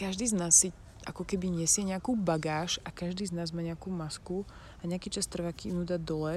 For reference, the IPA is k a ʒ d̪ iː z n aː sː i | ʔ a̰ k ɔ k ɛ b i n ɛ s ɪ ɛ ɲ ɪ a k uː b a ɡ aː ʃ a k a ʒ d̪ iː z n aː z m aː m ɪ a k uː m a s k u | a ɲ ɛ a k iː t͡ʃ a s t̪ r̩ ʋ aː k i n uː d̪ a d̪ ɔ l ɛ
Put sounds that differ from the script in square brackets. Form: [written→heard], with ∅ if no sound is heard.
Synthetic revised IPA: k a ʒ d̪ iː z n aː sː i | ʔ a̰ k ɔ k ɛ b i [n→ɲ] ɛ s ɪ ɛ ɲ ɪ a k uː b a ɡ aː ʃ a k a ʒ d̪ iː z n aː z m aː [m→ɲ] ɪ a k uː m a s k u | a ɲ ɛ a k iː t͡ʃ a s t̪ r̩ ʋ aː k i n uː d̪ a d̪ ɔ l ɛ